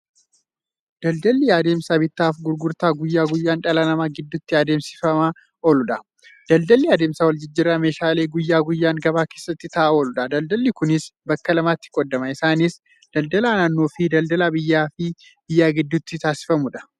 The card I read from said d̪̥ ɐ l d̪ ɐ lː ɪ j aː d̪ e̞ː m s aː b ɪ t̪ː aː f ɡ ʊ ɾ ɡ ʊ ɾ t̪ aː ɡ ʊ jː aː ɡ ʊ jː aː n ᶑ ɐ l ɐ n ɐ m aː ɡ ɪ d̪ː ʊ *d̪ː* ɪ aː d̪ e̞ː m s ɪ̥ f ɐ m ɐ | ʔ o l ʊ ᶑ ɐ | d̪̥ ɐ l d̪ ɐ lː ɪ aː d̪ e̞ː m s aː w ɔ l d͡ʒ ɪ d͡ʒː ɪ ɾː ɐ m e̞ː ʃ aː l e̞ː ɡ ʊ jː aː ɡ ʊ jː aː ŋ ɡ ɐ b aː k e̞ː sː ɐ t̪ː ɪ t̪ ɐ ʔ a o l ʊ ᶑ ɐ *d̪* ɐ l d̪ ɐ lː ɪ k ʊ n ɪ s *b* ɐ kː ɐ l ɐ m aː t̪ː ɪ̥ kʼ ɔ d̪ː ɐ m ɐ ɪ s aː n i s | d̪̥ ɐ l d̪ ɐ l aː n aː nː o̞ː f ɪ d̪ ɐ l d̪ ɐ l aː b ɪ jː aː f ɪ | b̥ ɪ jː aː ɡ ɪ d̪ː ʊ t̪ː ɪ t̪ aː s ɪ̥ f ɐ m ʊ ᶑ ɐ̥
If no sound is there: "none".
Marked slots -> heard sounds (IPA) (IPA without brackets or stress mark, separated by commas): t̪ː, d̪, b